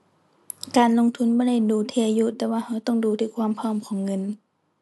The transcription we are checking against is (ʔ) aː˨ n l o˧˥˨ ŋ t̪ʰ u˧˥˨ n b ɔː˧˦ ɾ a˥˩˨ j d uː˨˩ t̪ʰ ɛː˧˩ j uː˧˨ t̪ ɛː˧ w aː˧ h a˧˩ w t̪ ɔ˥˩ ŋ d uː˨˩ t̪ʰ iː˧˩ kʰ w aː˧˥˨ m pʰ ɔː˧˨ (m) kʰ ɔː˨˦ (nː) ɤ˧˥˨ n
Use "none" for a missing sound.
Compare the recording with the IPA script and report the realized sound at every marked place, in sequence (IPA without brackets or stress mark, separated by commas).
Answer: k, m, ŋː